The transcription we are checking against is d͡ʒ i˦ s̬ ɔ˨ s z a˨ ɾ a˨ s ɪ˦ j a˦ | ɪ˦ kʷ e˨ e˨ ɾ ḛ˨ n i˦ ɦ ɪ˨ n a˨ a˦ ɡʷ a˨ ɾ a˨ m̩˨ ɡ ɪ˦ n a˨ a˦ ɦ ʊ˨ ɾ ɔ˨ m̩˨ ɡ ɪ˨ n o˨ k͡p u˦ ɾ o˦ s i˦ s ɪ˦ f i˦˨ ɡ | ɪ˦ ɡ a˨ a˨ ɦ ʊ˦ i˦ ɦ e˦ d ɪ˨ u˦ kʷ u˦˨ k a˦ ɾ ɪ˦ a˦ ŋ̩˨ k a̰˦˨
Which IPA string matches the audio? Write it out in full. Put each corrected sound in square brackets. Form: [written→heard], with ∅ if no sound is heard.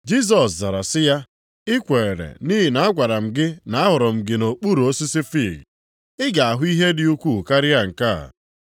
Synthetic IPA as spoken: d͡ʒ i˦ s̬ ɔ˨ s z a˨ ɾ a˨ s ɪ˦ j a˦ | ɪ˦ kʷ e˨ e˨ ɾ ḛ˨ n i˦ ɦ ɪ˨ n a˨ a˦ ɡʷ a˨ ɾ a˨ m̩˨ ɡ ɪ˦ n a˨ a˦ ɦ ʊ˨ ɾ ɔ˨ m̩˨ ɡ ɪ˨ n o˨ k͡p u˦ ɾ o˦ s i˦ s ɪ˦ f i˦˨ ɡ | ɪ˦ ɡ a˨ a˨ ɦ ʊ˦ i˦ ɦ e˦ d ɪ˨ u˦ kʷ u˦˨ k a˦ ɾ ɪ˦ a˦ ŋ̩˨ k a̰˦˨